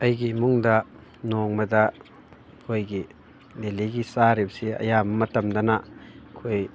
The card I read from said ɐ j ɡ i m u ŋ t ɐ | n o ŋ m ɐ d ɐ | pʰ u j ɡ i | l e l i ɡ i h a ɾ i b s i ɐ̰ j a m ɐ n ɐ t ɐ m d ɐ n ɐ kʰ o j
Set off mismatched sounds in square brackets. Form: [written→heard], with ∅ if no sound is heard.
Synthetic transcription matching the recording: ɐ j ɡ i m u ŋ [t→d] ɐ | n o ŋ m ɐ d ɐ | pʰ [u→o] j ɡ i | l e l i ɡ i [h→s] a ɾ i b s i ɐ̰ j a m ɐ [n→m] ɐ t ɐ m d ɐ n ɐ kʰ o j